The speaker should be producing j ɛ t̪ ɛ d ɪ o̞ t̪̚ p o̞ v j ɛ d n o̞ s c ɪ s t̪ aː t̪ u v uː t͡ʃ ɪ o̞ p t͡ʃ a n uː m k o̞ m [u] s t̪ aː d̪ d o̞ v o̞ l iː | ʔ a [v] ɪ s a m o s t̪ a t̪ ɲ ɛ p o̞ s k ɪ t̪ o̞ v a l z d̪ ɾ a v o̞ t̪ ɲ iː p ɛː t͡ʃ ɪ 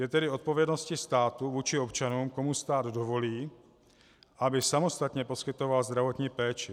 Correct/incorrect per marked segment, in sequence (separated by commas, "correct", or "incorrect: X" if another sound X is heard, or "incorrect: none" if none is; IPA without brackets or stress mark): correct, incorrect: b